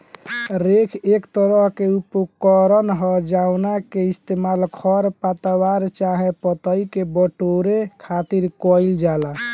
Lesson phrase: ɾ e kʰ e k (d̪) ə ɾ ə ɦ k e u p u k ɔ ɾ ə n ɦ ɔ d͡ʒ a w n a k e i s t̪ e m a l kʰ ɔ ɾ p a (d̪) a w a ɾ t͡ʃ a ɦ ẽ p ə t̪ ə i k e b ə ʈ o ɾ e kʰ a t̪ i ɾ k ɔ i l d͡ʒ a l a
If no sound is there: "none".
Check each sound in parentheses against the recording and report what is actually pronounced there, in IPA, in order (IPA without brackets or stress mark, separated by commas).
t̪, t̪